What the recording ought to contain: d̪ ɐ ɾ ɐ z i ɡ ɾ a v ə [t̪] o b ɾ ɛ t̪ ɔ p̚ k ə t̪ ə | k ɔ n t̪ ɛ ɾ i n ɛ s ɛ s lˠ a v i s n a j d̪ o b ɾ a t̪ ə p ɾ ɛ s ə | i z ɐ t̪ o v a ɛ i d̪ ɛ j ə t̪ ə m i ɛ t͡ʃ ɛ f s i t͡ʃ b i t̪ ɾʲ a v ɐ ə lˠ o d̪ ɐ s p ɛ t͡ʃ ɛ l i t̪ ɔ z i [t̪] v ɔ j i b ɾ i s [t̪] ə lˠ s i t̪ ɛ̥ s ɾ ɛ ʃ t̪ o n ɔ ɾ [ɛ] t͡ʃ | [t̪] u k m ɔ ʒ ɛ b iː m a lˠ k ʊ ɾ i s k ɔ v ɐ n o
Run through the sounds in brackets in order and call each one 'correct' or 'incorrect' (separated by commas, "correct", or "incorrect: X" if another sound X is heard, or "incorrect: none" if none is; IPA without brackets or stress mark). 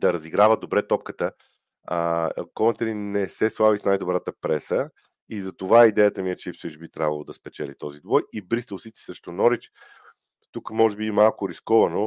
incorrect: d̪, incorrect: d̪, correct, incorrect: i, correct